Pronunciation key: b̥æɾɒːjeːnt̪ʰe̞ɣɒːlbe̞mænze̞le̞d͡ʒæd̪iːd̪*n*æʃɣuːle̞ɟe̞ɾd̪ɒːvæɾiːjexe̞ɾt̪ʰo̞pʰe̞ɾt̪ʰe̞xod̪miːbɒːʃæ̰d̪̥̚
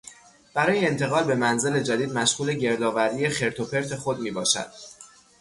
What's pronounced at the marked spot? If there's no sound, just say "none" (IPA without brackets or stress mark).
m